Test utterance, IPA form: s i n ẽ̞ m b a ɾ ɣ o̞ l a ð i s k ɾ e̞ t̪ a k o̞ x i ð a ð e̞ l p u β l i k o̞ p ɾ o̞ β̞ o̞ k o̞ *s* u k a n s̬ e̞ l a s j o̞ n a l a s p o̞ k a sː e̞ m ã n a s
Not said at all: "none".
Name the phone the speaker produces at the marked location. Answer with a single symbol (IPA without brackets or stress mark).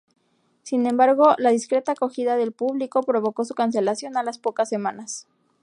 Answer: s